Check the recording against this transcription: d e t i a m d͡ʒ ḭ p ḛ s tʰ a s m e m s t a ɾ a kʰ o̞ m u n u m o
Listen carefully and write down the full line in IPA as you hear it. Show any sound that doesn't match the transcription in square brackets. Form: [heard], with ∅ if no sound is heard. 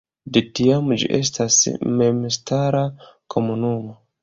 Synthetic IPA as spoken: d e t i a m d͡ʒ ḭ [ʔ] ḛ s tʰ a s m e m s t a ɾ a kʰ o̞ m u n u m o